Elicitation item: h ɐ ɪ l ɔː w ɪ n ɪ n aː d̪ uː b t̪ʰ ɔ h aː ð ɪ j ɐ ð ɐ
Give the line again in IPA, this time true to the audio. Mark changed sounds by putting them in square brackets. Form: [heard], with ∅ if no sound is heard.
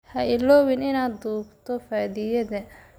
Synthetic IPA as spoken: h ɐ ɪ l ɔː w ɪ n ɪ n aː d̪ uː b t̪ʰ ɔ [f] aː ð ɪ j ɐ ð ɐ